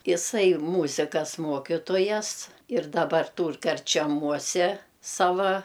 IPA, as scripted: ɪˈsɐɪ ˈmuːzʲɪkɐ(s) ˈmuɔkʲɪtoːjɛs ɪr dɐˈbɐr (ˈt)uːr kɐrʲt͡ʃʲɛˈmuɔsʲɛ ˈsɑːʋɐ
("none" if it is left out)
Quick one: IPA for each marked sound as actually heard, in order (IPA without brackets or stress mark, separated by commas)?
s, t